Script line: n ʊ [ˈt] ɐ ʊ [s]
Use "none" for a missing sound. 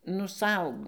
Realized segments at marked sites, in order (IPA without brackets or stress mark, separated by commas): s, none